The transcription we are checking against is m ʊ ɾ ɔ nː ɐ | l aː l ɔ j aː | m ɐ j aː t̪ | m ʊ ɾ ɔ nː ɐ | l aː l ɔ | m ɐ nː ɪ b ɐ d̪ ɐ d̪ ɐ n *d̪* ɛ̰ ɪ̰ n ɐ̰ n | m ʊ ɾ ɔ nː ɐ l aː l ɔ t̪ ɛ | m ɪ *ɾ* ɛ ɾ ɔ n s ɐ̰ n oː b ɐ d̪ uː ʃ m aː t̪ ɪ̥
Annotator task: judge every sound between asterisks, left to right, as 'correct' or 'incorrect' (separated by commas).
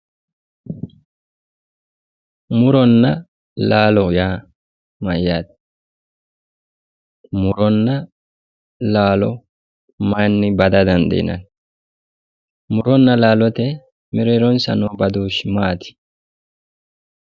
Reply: correct, correct